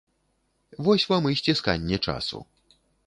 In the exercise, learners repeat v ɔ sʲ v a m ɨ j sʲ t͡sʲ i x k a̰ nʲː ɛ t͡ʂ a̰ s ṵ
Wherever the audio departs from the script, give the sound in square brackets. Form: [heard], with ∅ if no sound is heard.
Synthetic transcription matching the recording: v ɔ sʲ v a m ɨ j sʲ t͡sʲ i [s] k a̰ nʲː ɛ t͡ʂ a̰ s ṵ